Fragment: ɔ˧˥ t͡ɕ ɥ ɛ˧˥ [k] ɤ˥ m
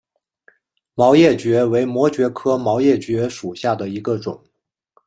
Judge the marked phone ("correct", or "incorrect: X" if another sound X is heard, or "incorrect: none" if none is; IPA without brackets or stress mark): incorrect: kʰ